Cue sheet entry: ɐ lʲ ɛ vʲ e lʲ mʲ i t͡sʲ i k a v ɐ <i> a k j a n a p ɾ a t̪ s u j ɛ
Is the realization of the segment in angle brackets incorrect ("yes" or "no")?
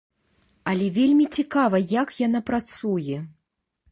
yes